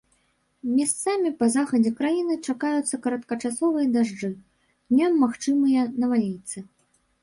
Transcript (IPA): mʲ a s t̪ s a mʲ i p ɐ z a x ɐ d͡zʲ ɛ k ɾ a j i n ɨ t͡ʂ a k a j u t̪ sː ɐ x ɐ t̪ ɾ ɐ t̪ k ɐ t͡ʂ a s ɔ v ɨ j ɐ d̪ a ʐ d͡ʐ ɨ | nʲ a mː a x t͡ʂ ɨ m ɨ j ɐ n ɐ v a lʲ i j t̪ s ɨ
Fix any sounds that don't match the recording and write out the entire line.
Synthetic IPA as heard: mʲ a s t̪ s a mʲ i p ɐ z a x ɐ d͡zʲ ɛ k ɾ a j i n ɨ t͡ʂ a k a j u t̪ sː ɐ k ɐ ɾ ɐ t̪ k ɐ t͡ʂ a s ɔ v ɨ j ɐ d̪ a ʐ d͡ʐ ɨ | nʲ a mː a x t͡ʂ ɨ m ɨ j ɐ n ɐ v a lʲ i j t̪ s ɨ